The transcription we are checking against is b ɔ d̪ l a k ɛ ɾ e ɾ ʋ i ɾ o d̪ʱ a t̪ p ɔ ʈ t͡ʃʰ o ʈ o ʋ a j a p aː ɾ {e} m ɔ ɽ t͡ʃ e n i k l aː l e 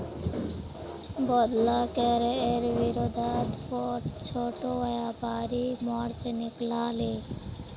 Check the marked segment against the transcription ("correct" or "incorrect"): incorrect